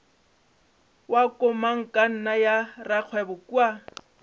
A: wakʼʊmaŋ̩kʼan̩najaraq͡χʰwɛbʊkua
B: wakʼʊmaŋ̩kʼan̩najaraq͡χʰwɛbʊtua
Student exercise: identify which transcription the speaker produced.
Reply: A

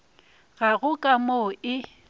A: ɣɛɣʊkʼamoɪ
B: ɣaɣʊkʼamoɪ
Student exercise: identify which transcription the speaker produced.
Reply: B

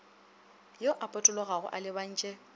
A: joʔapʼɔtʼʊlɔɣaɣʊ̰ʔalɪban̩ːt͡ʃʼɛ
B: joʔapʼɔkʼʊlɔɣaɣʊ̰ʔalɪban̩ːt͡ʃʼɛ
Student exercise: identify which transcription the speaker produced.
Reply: A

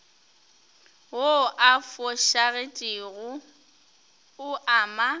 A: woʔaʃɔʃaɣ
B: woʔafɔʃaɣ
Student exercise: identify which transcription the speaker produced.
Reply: B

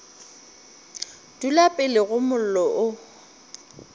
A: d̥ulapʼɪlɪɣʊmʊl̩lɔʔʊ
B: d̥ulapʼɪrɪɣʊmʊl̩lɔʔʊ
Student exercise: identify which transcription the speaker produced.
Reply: A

